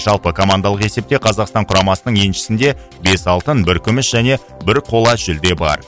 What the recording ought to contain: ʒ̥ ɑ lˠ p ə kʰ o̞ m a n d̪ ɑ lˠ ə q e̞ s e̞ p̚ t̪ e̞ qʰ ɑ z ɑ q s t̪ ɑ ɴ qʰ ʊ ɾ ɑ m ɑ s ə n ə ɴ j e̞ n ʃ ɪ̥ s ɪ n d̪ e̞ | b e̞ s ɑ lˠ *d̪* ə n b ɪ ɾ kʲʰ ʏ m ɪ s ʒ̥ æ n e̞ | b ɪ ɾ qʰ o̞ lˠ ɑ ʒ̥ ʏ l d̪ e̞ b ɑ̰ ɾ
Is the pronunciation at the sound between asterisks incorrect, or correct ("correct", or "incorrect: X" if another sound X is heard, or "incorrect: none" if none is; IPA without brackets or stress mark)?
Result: incorrect: t̪